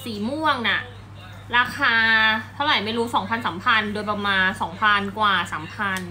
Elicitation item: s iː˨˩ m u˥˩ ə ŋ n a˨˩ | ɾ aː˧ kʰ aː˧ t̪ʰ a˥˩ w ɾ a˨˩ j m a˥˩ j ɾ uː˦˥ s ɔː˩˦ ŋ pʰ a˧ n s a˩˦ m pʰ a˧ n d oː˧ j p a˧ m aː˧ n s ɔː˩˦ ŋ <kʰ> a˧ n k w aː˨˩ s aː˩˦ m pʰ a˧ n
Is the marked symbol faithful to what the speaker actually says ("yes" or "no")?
no